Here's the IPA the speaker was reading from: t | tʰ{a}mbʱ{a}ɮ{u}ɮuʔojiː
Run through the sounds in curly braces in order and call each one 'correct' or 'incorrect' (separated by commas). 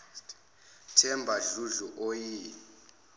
incorrect, correct, correct